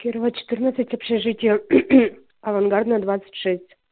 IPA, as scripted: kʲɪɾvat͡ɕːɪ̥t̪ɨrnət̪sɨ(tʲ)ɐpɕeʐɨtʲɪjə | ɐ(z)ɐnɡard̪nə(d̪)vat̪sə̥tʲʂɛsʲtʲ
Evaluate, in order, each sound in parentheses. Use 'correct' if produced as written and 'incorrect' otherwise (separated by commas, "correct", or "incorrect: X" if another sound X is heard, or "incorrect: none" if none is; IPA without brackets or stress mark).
correct, incorrect: v, correct